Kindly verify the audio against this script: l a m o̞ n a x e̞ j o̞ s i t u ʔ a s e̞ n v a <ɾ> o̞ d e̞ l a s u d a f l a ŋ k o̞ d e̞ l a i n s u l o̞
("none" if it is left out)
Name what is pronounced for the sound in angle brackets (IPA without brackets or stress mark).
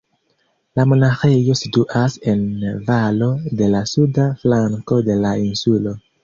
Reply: l